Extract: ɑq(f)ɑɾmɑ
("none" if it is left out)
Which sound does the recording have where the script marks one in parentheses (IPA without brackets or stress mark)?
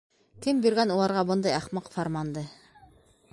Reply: f